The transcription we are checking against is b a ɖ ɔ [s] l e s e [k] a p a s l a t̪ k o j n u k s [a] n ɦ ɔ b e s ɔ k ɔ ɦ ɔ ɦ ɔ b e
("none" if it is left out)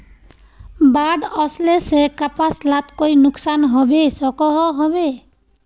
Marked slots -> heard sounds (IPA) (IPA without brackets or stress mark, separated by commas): s, k, a